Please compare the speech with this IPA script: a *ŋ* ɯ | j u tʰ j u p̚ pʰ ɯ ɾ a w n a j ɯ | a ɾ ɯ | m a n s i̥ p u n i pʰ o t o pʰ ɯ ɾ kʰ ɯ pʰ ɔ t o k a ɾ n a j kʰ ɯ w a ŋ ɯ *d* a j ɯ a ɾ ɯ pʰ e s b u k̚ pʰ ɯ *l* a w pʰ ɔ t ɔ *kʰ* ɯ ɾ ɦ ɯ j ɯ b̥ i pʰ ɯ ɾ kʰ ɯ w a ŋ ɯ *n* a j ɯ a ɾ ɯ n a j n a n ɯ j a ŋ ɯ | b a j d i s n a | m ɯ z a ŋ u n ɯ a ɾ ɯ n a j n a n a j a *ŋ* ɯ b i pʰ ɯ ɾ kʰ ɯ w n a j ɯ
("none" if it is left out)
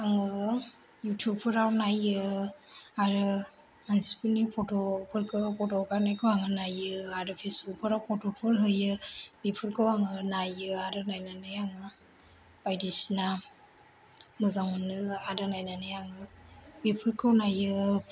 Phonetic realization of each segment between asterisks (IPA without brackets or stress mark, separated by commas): ŋ, n, ɾ, pʰ, n, ŋ